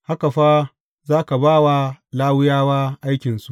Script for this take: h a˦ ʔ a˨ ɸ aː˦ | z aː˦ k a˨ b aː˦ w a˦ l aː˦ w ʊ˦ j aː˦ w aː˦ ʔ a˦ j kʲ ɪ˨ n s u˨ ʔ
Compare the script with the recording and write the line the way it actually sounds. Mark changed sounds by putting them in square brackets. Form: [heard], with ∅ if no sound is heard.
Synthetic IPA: h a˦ [k] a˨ ɸ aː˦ | z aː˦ k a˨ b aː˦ w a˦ l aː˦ w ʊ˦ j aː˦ w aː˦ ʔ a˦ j kʲ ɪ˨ n s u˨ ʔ